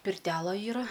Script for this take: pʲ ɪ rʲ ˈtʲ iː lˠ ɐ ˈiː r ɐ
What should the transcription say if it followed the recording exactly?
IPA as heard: pʲ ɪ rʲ ˈtʲ æː lˠ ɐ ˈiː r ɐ